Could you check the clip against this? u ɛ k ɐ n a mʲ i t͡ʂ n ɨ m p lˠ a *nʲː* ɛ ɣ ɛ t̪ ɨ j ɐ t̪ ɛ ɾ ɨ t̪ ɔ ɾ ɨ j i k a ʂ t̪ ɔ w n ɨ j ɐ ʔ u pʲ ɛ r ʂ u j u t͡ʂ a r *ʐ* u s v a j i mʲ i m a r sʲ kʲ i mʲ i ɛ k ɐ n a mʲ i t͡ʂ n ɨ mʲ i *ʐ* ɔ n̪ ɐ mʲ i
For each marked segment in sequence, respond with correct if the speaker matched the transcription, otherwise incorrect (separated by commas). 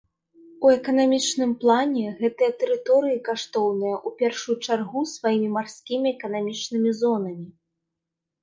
incorrect, incorrect, incorrect